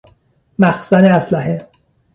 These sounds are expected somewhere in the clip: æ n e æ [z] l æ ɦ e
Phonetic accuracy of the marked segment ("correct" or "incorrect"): incorrect